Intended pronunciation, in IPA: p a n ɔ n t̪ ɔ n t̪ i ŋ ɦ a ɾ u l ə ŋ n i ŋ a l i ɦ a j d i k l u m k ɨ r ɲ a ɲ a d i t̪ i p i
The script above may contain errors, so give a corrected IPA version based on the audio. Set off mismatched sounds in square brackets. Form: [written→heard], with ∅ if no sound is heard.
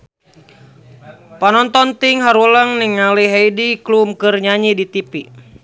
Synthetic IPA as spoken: p a n ɔ n t̪ ɔ n t̪ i ŋ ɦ a ɾ u l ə ŋ n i ŋ a l i ɦ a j d i k l u m k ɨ r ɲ a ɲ [a→i] d i t̪ i p i